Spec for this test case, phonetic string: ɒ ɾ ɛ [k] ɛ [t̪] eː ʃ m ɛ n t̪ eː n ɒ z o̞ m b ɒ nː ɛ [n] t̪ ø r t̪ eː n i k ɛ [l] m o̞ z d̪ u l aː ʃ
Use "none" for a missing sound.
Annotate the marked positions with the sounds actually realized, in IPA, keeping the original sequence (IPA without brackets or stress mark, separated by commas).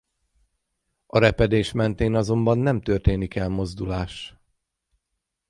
p, d̪, m, l